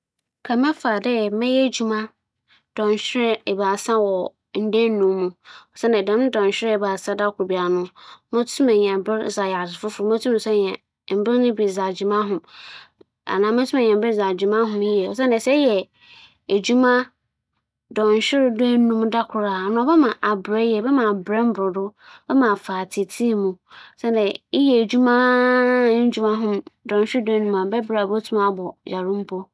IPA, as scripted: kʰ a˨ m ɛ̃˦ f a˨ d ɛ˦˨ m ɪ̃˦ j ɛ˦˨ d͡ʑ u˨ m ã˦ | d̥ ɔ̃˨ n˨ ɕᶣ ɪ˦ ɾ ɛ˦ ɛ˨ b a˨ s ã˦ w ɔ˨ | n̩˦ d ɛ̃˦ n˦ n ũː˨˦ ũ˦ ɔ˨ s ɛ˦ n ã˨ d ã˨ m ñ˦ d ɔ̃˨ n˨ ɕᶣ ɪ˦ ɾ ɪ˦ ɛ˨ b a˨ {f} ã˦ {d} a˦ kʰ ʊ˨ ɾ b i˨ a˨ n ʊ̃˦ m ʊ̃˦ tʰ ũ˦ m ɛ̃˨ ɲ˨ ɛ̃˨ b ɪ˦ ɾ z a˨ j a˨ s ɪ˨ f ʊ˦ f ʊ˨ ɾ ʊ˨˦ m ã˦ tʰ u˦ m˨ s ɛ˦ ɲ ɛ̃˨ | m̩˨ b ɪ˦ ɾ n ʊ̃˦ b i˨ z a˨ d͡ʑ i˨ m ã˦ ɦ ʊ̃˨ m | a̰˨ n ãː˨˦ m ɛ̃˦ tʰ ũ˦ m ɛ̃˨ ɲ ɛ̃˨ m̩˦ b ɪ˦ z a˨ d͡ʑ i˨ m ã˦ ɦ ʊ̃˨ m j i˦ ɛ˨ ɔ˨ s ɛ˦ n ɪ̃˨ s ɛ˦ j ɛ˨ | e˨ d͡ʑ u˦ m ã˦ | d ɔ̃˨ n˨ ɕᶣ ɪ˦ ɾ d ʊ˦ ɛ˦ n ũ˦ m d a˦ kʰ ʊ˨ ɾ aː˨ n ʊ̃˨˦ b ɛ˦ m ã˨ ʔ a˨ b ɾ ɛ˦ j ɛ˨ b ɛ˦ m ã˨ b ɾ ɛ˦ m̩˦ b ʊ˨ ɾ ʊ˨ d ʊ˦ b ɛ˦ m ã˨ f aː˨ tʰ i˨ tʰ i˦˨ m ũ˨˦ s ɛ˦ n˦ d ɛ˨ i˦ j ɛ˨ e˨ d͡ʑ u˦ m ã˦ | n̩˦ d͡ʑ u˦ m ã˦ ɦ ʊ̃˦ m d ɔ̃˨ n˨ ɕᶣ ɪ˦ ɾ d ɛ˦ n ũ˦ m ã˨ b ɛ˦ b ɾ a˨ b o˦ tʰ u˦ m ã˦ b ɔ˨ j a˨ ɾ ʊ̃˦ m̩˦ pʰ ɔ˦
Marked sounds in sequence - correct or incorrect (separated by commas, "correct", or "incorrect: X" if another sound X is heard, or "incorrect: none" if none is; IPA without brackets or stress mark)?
incorrect: s, correct